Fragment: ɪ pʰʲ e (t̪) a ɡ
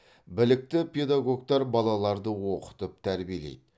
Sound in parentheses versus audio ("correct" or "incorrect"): incorrect